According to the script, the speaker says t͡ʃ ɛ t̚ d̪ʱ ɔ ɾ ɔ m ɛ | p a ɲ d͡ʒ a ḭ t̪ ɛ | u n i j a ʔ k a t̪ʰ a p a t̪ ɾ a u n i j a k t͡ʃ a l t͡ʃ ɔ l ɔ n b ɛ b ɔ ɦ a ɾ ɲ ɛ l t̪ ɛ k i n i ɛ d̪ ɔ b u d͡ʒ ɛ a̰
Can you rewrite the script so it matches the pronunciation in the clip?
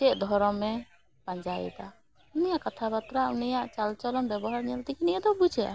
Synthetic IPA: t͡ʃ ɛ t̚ d̪ʱ ɔ ɾ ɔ m ɛ | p a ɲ d͡ʒ a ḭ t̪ a | u n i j a ʔ k a t̪ʰ a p a t̪ ɾ a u n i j a ʔ t͡ʃ a l t͡ʃ ɔ l ɔ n b ɛ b ɔ ɦ a ɾ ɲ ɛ l t̪ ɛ k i n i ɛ d̪ ɔ b u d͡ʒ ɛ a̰